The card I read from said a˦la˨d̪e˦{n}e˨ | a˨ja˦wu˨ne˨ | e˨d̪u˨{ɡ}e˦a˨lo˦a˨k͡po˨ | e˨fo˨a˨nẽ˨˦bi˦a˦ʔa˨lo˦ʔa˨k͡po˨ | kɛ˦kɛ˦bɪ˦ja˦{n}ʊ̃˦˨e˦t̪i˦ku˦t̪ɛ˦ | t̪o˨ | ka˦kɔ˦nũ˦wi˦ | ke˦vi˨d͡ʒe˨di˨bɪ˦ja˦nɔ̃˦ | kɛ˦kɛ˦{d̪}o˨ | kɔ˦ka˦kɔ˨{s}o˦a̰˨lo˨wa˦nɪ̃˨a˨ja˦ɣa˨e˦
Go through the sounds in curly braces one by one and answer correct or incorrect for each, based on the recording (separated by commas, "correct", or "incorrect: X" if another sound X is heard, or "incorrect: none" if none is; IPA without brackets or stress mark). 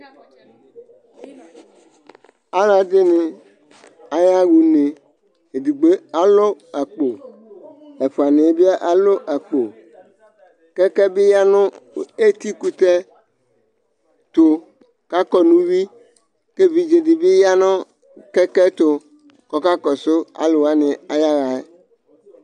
correct, incorrect: ɡ͡b, correct, incorrect: t̪, correct